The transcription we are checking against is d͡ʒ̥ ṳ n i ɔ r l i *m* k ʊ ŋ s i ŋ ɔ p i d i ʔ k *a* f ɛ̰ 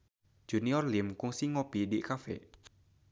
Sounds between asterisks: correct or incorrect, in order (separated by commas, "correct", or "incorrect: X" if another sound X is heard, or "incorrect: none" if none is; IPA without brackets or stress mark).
correct, correct